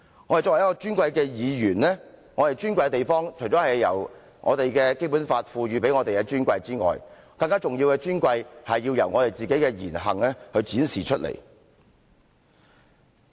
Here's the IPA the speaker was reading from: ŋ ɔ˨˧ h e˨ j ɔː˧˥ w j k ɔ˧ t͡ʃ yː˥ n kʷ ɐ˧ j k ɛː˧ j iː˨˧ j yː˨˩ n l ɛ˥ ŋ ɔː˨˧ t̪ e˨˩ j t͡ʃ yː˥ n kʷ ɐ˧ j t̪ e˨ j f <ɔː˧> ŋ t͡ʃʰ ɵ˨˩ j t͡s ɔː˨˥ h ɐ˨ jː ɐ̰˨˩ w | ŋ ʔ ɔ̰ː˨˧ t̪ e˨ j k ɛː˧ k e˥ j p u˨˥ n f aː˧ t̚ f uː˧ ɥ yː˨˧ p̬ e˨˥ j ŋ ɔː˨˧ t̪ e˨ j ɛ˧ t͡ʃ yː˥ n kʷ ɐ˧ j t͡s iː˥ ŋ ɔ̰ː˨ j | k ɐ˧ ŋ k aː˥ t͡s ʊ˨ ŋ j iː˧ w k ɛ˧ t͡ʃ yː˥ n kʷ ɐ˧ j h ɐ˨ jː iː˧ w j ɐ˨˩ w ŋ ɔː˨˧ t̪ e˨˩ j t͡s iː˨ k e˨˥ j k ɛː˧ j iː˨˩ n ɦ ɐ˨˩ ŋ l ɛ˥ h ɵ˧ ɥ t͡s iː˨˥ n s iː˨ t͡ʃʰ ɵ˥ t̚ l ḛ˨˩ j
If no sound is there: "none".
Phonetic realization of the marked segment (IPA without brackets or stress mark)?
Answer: ɔː˥